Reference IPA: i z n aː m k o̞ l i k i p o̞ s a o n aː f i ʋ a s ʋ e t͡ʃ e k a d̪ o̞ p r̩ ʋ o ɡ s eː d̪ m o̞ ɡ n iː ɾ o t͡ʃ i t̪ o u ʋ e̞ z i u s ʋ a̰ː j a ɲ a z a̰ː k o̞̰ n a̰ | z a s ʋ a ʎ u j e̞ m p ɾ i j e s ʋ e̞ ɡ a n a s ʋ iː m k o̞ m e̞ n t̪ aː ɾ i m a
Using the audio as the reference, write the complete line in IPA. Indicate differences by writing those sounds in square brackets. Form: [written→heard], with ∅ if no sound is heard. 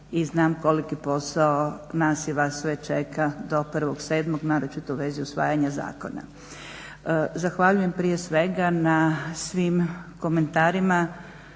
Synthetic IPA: i z n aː m k o̞ l i k i p o̞ s a o n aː [f→s] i ʋ a s ʋ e t͡ʃ e k a d̪ o̞ p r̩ ʋ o ɡ s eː d̪ m o̞ ɡ n [iː→aː] ɾ o t͡ʃ i t̪ o u ʋ e̞ z i u s ʋ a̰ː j a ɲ a z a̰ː k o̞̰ n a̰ | z a [s→x] ʋ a ʎ u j e̞ m p ɾ i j e s ʋ e̞ ɡ a n a s ʋ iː m k o̞ m e̞ n t̪ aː ɾ i m a

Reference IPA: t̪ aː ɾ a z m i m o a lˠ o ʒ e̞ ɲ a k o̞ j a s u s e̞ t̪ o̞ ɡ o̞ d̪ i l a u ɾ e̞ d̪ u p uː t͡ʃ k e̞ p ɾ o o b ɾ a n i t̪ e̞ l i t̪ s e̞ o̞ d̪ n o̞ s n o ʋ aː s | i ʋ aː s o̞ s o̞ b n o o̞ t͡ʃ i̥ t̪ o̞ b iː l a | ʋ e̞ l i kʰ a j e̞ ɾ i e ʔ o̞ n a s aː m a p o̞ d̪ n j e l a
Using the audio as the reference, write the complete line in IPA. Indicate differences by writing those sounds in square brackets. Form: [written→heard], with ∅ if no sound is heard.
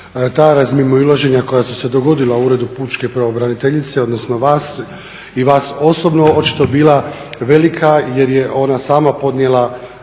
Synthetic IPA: t̪ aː ɾ a z m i m o [a→i] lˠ o ʒ e̞ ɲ a k o̞ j a s u s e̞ [t̪→d̪] o̞ ɡ o̞ d̪ i l a u ɾ e̞ d̪ u p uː t͡ʃ k e̞ p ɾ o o b ɾ a n i t̪ e̞ [l→ʎ] i t̪ s e̞ o̞ d̪ n o̞ s n o ʋ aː s | i ʋ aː s o̞ s o̞ b n o o̞ t͡ʃ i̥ t̪ o̞ b iː l a | ʋ e̞ l i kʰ a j e̞ ɾ [i→j] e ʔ o̞ n a s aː m a p o̞ d̪ n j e l a

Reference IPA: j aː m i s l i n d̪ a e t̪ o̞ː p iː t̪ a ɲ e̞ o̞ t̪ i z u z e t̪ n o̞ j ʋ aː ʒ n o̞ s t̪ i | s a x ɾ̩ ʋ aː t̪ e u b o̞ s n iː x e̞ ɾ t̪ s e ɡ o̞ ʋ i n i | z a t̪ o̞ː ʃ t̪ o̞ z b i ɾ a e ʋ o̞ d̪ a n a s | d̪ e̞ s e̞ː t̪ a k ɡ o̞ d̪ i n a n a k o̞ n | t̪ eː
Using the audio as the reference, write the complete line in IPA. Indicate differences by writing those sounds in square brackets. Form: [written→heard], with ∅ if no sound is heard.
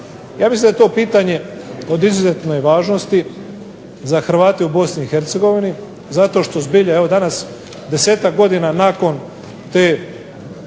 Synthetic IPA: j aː m i s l i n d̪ a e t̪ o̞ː p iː t̪ a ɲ e̞ o̞ [t̪→d̪] i z u z e t̪ n o̞ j ʋ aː ʒ n o̞ s t̪ i | [s→z] a x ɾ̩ ʋ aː t̪ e u b o̞ s n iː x e̞ ɾ t̪ s e ɡ o̞ ʋ i n i | z a t̪ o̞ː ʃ t̪ o̞ z b i [ɾ→ʎ] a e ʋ o̞ d̪ a n a s | d̪ e̞ s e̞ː t̪ a k ɡ o̞ d̪ i n a n a k o̞ n | t̪ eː

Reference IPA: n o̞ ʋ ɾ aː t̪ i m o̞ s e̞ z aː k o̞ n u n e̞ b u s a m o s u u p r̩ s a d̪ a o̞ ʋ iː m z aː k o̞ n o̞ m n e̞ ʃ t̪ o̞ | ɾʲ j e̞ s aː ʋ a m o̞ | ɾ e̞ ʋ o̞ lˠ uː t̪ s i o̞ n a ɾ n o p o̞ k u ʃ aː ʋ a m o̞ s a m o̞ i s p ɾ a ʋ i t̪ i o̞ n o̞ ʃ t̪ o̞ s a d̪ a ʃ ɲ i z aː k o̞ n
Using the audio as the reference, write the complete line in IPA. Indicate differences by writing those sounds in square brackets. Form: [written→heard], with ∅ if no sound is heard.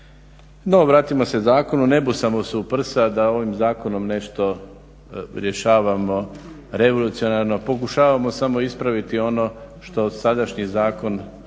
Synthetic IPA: n o̞ ʋ ɾ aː t̪ i m o̞ s e̞ z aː k o̞ n u n e̞ b u s a m o s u u p r̩ s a d̪ a o̞ ʋ [iː→i] m z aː k o̞ n o̞ m n e̞ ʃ t̪ o̞ | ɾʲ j e̞ [s→ʃ] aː ʋ a m o̞ | ɾ e̞ ʋ o̞ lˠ [uː→u] t̪ s i o̞ n a ɾ n o p o̞ k u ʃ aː ʋ a m o̞ s a m o̞ i s p ɾ a ʋ i t̪ i o̞ n o̞ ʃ t̪ o̞ s a d̪ a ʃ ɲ i z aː k o̞ n

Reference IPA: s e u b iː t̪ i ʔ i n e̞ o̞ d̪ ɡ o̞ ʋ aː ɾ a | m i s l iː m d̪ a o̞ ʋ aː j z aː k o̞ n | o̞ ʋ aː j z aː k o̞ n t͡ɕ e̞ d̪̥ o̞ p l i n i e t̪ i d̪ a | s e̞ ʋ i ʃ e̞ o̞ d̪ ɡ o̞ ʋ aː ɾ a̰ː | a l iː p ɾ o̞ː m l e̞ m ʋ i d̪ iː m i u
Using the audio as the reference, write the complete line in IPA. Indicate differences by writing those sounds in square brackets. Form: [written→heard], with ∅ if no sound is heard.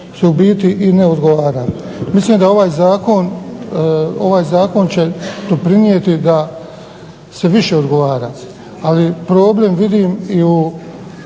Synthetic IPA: s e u b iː t̪ i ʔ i n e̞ o̞ d̪ ɡ o̞ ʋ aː ɾ a | m i s l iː m d̪ a o̞ ʋ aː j z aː k o̞ n | o̞ ʋ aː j z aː k o̞ n t͡ɕ e̞ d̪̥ o̞ p [l→ɾ] i n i e t̪ i d̪ a | s e̞ ʋ i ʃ e̞ o̞ d̪ ɡ o̞ ʋ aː ɾ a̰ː | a l [iː→i] p ɾ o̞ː [m→b] l e̞ m ʋ i d̪ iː m i u

